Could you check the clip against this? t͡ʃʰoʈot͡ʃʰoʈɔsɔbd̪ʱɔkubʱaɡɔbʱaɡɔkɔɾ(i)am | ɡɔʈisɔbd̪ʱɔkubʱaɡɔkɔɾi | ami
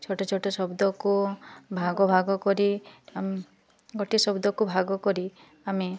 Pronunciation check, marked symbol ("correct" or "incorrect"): correct